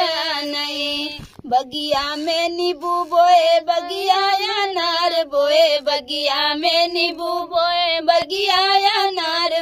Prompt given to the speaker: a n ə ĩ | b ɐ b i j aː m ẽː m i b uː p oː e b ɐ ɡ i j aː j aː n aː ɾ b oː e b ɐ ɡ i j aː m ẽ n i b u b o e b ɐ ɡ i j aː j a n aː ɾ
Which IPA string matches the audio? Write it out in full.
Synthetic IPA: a n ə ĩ | b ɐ ɡ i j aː m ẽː n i b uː b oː e b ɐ ɡ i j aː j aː n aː ɾ b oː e b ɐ ɡ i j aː m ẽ n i b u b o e b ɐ ɡ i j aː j a n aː ɾ